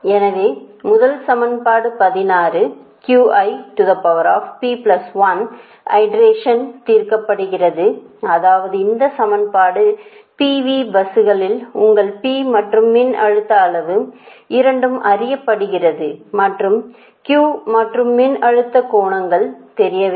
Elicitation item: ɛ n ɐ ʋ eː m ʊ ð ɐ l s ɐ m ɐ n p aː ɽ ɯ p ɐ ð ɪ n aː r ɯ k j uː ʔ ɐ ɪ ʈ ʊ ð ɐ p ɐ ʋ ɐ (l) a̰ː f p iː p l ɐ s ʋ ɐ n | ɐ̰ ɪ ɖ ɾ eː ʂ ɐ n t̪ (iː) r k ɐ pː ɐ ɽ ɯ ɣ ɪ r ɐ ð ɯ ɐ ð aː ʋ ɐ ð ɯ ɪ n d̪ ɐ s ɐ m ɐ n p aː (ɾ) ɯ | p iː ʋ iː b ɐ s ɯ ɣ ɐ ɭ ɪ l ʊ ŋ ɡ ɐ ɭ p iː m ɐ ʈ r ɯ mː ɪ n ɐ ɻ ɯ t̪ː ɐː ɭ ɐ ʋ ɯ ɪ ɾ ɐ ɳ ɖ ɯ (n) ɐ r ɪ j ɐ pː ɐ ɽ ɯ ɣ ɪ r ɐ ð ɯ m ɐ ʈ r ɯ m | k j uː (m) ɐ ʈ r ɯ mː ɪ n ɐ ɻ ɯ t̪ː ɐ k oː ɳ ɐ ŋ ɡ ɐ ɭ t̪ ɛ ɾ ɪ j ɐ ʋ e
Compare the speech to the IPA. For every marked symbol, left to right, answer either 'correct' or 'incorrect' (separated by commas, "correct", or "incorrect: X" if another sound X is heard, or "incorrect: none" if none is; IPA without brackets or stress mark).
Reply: incorrect: ɾ, correct, incorrect: ɽ, incorrect: m, correct